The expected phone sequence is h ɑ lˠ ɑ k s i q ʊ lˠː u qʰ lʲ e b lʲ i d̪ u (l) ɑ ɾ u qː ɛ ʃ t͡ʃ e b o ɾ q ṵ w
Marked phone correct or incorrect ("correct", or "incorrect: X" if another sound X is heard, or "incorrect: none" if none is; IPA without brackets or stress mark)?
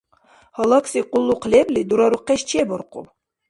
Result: incorrect: ɾ